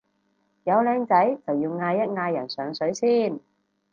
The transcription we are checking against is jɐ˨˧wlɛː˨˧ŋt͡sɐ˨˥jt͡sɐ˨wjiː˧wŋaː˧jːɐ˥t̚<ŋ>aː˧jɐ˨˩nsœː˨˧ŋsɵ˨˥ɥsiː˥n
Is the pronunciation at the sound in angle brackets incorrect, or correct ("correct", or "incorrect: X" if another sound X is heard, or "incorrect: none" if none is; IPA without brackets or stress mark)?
correct